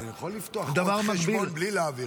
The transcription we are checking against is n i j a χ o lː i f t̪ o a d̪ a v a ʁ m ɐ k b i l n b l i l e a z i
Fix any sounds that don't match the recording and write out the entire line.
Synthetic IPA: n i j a χ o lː i f t̪ o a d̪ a v a ʁ m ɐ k b i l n b l i l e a v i